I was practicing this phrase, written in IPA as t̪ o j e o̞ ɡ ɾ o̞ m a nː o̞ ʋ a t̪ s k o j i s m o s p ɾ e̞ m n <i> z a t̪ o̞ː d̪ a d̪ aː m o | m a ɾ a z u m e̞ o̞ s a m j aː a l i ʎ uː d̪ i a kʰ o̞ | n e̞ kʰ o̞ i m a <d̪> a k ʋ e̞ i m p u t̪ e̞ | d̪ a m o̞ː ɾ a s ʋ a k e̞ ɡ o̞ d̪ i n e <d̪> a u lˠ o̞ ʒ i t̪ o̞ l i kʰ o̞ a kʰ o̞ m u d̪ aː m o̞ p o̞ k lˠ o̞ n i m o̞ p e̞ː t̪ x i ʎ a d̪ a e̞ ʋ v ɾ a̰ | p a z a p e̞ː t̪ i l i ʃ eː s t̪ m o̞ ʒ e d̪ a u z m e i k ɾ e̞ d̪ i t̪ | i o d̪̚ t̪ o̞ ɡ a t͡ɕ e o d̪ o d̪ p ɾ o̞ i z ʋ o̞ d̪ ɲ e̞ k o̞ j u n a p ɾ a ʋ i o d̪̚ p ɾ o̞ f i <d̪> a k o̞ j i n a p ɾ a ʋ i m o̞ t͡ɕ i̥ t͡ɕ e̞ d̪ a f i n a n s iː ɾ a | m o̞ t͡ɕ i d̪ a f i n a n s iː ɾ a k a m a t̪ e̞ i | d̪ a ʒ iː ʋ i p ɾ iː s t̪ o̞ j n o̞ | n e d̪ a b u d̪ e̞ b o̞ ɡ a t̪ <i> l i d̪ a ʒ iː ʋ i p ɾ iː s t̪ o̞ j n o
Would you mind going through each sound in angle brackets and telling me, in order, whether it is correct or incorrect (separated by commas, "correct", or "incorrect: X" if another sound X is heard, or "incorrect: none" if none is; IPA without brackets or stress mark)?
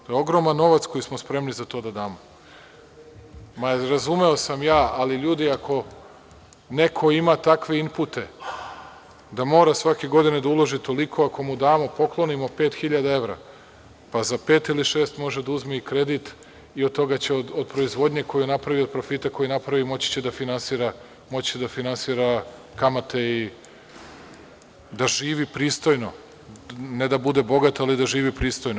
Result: correct, incorrect: t̪, correct, incorrect: t̪, incorrect: a